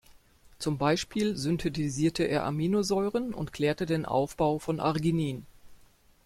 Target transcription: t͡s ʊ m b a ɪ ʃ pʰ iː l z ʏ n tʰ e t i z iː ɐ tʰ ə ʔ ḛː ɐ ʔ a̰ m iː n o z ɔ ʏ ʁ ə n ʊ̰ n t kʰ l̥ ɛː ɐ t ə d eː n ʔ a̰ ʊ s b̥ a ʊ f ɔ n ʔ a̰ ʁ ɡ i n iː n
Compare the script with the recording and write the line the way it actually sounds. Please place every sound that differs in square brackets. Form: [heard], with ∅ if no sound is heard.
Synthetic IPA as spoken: t͡s ʊ m b a ɪ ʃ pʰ iː l z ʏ n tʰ e t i z iː ɐ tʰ ə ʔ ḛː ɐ ʔ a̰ m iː n o z ɔ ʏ ʁ ə n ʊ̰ n t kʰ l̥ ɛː ɐ t ə d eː n ʔ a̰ ʊ [f] b̥ a ʊ f ɔ n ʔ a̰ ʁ ɡ i n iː n